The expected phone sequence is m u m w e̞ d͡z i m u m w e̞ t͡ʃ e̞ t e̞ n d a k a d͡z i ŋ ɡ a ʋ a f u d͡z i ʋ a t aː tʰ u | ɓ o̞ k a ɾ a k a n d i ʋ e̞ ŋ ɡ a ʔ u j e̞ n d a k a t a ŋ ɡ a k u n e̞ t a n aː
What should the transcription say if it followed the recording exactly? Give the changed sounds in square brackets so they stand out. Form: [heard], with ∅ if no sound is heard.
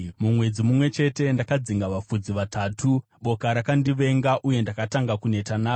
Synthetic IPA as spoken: m u m w e̞ d͡z i m u m w e̞ t͡ʃ e̞ t e̞ n d a k a d͡z i ŋ ɡ a ʋ a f u d͡z i ʋ a t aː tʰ u | ɓ o̞ k a ɾ a k a n d i ʋ e̞ ŋ ɡ a ʔ u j e̞ n d a k a t a ŋ ɡ a k u n e̞ t a n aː